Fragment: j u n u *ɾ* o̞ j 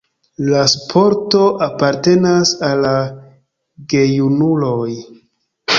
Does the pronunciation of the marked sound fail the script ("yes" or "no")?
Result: yes